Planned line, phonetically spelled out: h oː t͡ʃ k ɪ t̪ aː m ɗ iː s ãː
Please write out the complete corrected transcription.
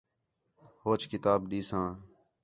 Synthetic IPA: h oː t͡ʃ k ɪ t̪ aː b ɗ iː s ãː